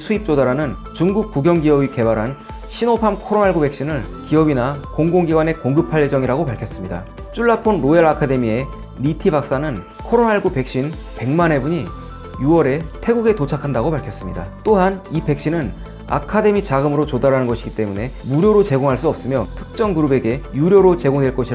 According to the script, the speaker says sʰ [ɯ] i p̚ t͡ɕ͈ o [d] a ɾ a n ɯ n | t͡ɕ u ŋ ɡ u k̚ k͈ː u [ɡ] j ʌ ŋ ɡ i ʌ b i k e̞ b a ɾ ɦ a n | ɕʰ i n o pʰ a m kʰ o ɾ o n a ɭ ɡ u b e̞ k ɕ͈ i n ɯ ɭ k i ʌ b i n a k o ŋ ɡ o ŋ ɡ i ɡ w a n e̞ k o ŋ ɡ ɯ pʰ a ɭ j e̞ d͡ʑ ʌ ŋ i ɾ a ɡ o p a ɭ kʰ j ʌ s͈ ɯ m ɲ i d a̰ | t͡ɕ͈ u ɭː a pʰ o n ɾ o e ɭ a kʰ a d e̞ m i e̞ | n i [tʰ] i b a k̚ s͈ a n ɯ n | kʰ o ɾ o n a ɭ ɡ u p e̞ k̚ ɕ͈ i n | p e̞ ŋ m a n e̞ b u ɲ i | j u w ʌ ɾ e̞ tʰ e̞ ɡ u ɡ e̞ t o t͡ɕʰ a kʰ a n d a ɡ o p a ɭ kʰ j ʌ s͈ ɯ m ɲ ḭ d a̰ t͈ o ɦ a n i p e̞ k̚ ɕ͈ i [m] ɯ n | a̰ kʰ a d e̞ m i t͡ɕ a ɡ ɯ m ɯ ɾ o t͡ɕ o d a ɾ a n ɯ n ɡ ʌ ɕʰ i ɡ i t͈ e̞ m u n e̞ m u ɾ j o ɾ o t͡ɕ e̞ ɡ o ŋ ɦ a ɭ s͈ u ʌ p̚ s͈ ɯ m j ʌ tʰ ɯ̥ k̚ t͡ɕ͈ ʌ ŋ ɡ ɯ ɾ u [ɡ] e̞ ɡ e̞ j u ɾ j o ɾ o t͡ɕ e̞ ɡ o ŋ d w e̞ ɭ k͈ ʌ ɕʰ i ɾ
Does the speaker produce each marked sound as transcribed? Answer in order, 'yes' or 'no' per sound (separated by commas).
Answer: no, yes, yes, yes, no, no